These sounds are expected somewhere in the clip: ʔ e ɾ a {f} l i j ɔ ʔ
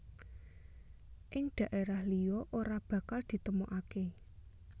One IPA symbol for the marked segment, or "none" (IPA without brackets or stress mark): h